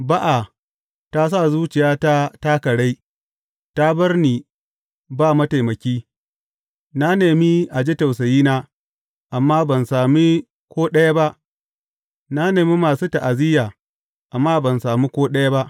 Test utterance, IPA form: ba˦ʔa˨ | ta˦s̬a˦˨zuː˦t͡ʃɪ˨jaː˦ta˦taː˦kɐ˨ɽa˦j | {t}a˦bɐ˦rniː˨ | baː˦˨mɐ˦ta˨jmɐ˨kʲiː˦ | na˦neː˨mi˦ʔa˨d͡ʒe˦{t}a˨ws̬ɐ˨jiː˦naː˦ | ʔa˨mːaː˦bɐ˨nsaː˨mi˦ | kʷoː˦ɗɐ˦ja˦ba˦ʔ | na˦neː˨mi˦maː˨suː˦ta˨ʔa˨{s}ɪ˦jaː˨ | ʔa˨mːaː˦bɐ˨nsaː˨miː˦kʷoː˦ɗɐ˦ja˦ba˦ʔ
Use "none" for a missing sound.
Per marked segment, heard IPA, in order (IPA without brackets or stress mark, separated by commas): t, t, z